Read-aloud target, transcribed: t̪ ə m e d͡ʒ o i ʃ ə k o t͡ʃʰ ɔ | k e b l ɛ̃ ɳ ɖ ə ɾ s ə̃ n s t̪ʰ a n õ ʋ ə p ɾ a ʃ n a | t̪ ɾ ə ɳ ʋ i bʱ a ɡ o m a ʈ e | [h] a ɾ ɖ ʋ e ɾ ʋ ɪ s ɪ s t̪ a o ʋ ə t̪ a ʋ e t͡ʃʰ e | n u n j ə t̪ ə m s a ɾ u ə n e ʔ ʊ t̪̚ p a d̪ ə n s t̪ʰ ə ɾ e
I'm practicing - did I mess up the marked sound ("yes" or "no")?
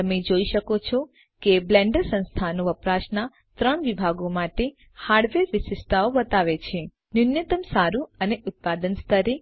no